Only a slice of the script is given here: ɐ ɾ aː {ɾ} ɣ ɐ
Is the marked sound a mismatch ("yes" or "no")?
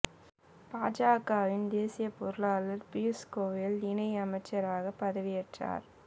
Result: yes